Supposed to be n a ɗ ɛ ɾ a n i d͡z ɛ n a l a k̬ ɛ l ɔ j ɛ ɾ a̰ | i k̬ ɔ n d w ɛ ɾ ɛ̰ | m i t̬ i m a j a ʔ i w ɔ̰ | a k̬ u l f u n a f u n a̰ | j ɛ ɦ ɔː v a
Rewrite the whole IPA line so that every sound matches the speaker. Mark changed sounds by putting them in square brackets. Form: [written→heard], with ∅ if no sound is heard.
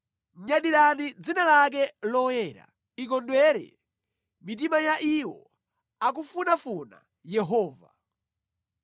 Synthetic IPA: [n→ɲ] a ɗ [ɛ→i] ɾ a n i d͡z [ɛ→i] n a l a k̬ ɛ l ɔ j ɛ ɾ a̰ | i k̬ ɔ n d w ɛ ɾ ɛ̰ | m i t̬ i m a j a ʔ i w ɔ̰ | a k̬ u [l→∅] f u n a f u n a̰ | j ɛ ɦ ɔː v a